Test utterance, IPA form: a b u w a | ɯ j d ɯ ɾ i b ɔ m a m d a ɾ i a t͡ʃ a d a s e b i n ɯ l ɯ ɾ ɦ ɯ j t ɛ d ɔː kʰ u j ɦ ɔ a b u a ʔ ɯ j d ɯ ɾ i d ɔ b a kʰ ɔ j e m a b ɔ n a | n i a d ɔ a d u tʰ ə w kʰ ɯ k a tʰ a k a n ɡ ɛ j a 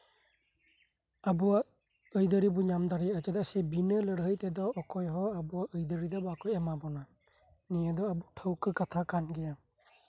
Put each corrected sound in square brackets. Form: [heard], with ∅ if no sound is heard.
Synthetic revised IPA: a b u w a | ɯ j d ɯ ɾ i b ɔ [ɲ] a m d a ɾ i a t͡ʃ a d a s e b i n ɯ l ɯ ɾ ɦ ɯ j t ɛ d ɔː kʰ [ɔ] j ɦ ɔ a b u a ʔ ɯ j d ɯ ɾ i d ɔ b a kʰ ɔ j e m a b ɔ n a | n i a d ɔ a [b] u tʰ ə w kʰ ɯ k a tʰ a k a n ɡ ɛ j a